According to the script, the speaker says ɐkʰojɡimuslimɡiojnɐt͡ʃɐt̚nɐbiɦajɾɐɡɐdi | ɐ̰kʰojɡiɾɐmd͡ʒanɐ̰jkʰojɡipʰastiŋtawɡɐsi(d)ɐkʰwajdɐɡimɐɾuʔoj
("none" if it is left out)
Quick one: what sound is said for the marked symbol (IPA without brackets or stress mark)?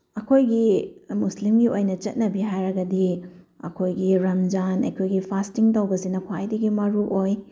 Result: n